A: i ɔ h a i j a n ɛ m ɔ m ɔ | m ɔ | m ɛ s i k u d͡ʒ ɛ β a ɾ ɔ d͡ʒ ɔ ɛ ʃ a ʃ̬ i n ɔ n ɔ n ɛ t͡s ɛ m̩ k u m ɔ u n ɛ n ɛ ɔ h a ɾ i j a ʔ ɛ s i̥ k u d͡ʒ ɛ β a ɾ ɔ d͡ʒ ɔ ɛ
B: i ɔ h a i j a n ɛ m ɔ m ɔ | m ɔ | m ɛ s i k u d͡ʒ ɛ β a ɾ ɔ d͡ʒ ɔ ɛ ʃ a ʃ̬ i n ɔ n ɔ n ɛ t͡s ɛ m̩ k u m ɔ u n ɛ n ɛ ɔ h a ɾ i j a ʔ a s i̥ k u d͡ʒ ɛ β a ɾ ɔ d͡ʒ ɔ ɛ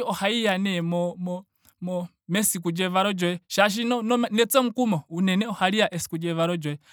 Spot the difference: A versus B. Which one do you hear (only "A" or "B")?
A